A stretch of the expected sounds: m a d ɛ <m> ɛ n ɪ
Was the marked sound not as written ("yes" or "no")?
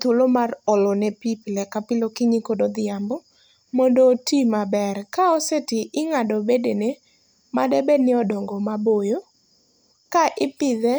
yes